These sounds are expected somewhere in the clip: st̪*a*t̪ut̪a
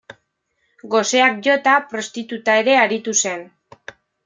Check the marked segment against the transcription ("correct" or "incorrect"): incorrect